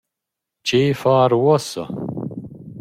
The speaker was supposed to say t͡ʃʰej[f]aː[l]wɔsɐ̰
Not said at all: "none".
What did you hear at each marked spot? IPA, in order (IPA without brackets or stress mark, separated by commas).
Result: f, ɾ